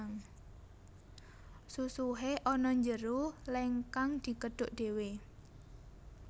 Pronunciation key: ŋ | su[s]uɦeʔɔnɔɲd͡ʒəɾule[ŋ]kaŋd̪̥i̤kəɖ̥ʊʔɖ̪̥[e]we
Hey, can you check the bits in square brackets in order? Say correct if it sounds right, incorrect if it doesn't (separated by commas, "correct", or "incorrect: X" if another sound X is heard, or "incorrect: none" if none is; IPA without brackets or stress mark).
correct, correct, correct